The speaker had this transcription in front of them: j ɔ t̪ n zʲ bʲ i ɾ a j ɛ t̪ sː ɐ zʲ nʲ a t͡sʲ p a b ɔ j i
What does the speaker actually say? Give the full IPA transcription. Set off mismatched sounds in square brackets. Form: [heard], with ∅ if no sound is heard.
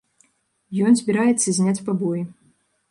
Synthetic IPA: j ɔ [∅] n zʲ bʲ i ɾ a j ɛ t̪ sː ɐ zʲ nʲ a t͡sʲ p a b ɔ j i